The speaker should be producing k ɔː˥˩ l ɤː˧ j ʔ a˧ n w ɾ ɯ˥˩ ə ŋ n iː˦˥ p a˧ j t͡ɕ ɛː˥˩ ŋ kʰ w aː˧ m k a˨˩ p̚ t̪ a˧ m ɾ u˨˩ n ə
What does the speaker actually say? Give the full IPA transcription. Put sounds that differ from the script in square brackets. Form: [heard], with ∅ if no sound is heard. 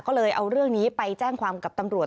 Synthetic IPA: k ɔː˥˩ l ɤː˧ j ʔ a˧ [∅] w ɾ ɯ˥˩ ə ŋ n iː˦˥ p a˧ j t͡ɕ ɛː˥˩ ŋ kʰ w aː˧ m k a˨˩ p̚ t̪ a˧ m ɾ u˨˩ [∅] ə

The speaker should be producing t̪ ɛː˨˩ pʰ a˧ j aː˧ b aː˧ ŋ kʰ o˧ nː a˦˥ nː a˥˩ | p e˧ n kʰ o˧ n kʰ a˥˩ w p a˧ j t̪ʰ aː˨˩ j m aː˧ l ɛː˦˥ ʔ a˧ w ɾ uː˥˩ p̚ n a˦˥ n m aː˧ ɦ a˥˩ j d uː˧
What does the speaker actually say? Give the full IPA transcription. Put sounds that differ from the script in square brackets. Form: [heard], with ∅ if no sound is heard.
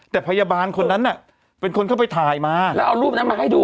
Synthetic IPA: t̪ ɛː˨˩ pʰ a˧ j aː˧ b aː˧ [n] kʰ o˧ nː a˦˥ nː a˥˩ | p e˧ n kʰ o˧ n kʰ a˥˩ w p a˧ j t̪ʰ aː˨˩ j m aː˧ l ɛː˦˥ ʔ a˧ w ɾ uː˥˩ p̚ n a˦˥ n m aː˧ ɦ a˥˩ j d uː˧

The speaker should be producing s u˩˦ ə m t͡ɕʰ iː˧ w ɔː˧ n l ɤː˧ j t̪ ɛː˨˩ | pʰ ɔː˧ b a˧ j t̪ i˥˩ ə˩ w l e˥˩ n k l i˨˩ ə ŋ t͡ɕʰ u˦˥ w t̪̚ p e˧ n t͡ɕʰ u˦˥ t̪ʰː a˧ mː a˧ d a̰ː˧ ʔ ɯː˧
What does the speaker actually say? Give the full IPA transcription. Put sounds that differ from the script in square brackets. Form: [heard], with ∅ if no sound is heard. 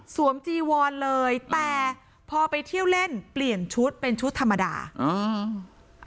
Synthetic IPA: s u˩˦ ə m [t͡ɕ] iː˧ w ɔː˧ n l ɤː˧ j t̪ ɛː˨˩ | pʰ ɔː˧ [p] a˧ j [t̪ʰ] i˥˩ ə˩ w l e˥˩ n [p] l i˨˩ ə [n] t͡ɕʰ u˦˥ [∅] t̪̚ p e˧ n t͡ɕʰ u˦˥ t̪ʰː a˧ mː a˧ d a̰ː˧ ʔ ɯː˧

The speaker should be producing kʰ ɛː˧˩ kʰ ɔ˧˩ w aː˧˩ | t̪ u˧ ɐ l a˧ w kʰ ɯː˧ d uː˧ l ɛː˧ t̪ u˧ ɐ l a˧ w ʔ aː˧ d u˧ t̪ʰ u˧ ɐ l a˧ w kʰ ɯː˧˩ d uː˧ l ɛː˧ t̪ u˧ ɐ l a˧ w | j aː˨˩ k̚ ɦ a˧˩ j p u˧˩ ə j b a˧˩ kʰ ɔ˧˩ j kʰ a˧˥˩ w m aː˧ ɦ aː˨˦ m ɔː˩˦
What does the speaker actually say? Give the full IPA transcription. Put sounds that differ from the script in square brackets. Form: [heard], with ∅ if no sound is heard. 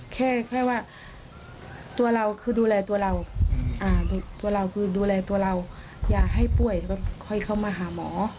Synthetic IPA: kʰ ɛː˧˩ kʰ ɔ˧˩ w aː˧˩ | t̪ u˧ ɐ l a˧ w kʰ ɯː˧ d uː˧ l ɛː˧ t̪ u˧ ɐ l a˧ w ʔ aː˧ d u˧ [t̪] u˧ ɐ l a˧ w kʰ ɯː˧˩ d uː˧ l ɛː˧ t̪ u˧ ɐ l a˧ w | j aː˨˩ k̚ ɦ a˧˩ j p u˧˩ ə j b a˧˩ kʰ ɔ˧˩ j kʰ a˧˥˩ w m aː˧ ɦ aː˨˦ m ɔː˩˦

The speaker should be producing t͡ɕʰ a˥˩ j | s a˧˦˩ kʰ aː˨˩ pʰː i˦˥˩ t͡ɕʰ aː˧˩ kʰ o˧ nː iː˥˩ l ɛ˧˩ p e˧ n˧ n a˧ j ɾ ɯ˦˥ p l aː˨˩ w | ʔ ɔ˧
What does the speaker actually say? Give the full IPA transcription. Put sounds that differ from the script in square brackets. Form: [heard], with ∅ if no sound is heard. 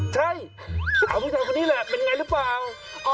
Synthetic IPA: t͡ɕʰ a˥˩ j | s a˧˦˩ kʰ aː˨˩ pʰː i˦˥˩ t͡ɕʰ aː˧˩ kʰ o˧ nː [iː˦˥] l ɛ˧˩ p e˧ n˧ [ŋ] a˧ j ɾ ɯ˦˥ p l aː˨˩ w | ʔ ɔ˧

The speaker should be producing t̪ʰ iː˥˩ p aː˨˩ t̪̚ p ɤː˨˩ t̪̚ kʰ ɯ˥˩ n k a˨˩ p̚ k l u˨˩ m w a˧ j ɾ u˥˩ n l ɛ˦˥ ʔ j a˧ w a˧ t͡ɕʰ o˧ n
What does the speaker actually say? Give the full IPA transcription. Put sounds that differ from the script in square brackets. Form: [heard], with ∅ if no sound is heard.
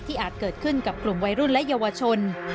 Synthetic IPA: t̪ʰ iː˥˩ [ʔ] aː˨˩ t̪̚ [k] ɤː˨˩ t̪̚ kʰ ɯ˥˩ n k a˨˩ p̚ k l u˨˩ m w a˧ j ɾ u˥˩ n l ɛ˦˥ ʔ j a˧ w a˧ t͡ɕʰ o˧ n

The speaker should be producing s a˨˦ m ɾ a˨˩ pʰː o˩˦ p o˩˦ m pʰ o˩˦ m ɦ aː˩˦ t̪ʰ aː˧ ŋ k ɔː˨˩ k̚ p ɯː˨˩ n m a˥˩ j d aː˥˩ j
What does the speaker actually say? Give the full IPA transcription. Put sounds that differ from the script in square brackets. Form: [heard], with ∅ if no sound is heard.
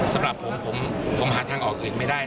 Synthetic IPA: s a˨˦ m ɾ a˨˩ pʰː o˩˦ [pʰ] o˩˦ m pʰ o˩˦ m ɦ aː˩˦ t̪ʰ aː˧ ŋ [ʔ] ɔː˨˩ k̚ [ʔ] ɯː˨˩ n m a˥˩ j d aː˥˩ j

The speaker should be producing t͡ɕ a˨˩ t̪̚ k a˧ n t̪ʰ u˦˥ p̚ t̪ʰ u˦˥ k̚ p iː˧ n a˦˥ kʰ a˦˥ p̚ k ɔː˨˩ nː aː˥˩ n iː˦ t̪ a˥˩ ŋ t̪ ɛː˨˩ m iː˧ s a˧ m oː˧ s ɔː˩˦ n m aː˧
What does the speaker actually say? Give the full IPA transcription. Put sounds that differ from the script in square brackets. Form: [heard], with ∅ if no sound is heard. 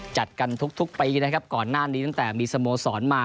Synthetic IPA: t͡ɕ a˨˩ t̪̚ k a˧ n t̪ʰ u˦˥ [k̚] t̪ʰ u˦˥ k̚ p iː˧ n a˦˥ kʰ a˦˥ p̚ k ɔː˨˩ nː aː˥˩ n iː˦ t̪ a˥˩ ŋ t̪ ɛː˨˩ m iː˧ s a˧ m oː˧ s ɔː˩˦ n m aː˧

